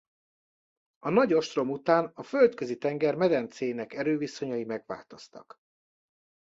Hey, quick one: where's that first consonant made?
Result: tongue tip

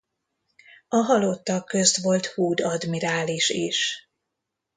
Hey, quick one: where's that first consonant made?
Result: throat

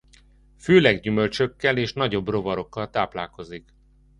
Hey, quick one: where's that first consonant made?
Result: lips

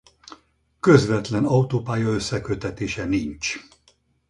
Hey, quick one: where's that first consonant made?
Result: velum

